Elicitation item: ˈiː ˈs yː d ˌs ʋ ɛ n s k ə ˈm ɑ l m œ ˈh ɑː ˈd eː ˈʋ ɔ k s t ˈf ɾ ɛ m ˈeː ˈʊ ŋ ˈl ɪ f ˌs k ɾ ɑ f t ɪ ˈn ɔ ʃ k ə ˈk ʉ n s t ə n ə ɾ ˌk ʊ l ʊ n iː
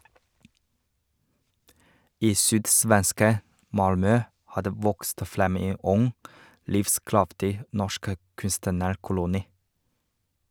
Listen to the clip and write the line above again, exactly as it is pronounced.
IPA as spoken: ˈiː ˈs yː d ˌs ʋ ɛ n s k ə ˈm ɑ l m œ ˈh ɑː ˈd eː ˈʋ ɔ k s t ˈf ɾ ɛ m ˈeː ˈʊ ŋ ˈl ɪ f ˌs k ɾ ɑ f t ɪ ˈn ɔ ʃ k ə ˈk ʉ n s t ə n ə ɾ ˌk ʊ l ʊ n iː